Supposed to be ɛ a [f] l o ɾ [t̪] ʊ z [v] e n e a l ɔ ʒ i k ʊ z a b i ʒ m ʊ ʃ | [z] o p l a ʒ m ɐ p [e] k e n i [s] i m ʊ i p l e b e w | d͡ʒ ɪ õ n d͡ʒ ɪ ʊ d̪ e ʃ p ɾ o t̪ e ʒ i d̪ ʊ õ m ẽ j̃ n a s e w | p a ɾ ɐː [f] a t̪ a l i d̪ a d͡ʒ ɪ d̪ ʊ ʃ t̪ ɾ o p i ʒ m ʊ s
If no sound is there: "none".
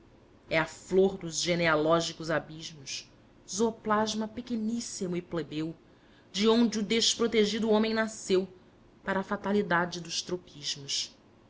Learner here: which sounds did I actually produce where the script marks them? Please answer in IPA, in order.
f, d̪, ʒ, z, e, s, f

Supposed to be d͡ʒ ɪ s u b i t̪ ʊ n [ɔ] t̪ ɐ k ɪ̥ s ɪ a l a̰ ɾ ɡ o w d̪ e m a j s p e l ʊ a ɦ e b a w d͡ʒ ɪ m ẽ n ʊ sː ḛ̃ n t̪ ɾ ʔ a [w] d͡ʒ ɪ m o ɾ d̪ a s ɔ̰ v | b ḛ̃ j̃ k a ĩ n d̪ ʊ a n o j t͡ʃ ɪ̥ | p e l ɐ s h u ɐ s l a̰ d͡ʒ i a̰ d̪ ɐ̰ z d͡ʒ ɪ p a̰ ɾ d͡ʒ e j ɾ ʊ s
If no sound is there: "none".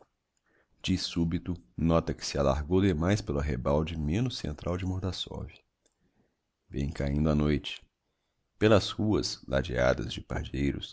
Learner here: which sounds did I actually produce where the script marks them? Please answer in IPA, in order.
ɔ, w

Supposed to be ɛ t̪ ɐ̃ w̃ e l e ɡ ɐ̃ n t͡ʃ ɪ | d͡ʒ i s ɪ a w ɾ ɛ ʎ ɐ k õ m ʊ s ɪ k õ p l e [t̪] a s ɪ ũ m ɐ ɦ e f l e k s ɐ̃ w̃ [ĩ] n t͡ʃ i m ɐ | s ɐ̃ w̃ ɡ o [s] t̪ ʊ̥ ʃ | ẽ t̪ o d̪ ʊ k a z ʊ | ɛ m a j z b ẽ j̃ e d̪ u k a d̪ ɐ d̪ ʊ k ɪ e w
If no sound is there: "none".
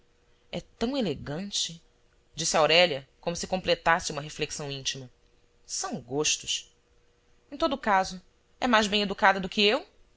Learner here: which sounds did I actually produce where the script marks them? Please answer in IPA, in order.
t̪, ĩ, ʃ

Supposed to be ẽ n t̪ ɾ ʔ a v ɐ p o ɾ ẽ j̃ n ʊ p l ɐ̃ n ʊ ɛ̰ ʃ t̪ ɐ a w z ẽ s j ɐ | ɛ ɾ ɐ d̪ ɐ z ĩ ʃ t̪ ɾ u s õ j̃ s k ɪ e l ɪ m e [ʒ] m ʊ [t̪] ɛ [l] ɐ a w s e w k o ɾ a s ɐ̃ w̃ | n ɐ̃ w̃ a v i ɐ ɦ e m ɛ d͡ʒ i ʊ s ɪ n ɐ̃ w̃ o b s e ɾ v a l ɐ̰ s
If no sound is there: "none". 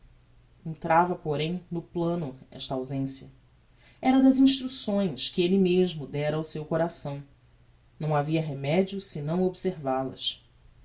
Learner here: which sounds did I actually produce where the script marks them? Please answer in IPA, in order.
ʒ, d̪, ɾ

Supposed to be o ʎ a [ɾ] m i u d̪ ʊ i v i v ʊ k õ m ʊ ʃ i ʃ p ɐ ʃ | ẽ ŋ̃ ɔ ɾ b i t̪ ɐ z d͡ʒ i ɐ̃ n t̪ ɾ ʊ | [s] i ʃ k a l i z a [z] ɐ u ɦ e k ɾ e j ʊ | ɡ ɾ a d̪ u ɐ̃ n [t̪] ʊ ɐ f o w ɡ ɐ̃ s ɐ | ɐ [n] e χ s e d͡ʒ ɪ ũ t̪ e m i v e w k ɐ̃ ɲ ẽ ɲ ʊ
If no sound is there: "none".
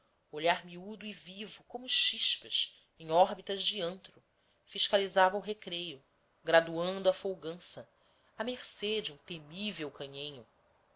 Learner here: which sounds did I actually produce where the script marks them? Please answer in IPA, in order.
ɾ, f, v, d̪, m

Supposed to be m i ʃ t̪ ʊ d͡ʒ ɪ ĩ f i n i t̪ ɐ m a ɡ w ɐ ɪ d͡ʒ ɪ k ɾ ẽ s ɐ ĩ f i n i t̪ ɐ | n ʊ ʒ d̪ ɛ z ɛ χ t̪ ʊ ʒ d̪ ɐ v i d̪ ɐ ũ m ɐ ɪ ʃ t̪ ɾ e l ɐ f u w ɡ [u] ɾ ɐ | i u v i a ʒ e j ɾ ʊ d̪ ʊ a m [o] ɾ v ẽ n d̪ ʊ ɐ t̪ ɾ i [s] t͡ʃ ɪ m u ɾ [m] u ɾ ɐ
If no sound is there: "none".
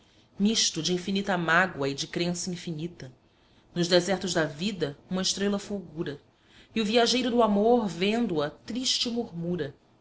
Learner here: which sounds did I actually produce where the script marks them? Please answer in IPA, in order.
u, o, ʃ, m

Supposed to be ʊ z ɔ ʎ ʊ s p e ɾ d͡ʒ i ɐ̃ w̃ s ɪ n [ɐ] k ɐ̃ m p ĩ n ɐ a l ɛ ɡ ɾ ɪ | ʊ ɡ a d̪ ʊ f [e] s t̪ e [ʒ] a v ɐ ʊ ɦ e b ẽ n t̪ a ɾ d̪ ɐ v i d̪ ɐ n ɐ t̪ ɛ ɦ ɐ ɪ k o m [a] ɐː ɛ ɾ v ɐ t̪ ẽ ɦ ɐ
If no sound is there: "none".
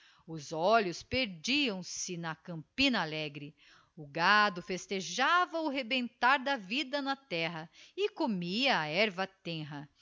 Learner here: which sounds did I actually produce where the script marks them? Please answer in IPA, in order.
ɐ, e, ʒ, i

